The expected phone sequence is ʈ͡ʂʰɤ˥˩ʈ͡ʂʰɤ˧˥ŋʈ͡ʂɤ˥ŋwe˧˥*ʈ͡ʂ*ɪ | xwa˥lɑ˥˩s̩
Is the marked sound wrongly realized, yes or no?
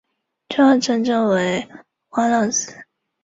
yes